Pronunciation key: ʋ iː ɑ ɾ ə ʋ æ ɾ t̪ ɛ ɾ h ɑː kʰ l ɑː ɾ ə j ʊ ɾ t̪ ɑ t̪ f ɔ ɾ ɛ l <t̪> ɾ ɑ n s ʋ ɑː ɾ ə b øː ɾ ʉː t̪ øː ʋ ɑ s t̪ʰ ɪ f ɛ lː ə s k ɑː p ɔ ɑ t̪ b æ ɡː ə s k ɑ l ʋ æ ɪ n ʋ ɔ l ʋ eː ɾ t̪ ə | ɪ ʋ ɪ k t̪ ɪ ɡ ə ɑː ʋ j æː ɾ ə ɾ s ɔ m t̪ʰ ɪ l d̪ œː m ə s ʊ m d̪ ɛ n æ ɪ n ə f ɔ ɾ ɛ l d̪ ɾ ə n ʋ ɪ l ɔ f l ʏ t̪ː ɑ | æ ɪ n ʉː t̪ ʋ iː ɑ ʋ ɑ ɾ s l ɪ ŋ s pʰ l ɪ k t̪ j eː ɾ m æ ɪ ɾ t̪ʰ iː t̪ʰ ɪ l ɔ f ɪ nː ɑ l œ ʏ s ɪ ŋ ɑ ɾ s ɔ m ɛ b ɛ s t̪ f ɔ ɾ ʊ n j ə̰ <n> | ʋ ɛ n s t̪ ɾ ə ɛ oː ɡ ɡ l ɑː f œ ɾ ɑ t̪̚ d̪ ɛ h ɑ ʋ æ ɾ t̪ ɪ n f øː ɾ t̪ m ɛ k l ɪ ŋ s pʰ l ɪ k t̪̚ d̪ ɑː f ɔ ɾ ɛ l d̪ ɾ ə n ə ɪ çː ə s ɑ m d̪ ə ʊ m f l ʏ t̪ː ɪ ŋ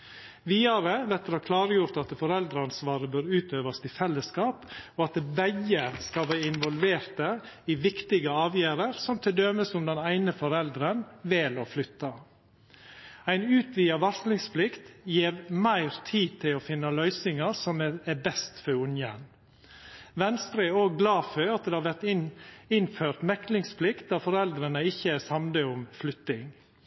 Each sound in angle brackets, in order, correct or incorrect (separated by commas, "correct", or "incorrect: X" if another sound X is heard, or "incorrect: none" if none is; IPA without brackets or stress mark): incorrect: d̪, correct